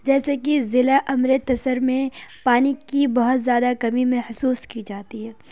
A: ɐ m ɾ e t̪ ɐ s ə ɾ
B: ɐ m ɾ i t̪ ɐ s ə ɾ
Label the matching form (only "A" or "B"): A